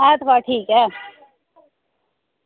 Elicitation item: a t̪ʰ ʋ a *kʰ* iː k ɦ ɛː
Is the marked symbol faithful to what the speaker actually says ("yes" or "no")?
no